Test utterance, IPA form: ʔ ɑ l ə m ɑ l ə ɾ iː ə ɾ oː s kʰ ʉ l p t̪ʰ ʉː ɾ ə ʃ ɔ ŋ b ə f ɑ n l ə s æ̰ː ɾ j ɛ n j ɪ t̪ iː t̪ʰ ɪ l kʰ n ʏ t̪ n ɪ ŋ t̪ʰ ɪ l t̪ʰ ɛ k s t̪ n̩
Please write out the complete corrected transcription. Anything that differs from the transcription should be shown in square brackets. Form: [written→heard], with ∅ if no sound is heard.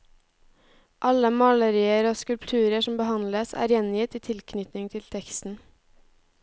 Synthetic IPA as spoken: ʔ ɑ l ə m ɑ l ə ɾ iː ə ɾ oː s [kʰ→k] ʉ l p t̪ʰ ʉː ɾ ə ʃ ɔ [ŋ→m] b ə [f→h] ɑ n l ə s æ̰ː ɾ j ɛ n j ɪ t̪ iː t̪ʰ ɪ l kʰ n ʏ t̪ n ɪ ŋ t̪ʰ ɪ l t̪ʰ ɛ k s t̪ n̩